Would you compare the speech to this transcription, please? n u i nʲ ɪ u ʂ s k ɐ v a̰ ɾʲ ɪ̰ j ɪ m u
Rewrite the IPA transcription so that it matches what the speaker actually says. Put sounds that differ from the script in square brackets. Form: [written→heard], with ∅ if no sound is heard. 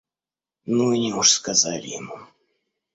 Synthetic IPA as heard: n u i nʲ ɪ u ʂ s k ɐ [v→z] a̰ [ɾʲ→lʲ] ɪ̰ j ɪ m u